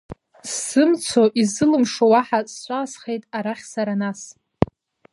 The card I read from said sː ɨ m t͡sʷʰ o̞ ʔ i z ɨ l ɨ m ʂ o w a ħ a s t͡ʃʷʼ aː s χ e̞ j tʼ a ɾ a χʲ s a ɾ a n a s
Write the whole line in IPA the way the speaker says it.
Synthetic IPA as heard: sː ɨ m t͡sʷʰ o̞ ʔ i z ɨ l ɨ m ʂ o w a ħ a s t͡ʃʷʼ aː s χ e̞ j tʼ a ɾ a χʲ s a ɾ a n a s